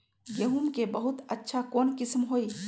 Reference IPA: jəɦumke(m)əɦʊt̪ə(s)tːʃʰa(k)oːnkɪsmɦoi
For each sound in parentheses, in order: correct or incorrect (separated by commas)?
incorrect, incorrect, correct